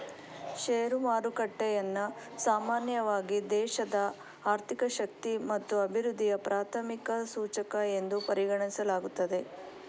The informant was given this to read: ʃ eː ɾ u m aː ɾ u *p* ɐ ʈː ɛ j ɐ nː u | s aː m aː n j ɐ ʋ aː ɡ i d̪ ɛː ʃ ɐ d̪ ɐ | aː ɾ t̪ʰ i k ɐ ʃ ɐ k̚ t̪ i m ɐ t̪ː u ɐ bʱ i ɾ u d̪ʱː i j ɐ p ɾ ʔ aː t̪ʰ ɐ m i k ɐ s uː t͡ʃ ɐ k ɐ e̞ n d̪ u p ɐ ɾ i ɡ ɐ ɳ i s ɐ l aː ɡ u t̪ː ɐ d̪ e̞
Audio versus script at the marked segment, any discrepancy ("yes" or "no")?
yes